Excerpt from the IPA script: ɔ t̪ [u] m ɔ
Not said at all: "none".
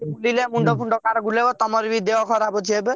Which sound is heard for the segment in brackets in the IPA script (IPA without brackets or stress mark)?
ɔ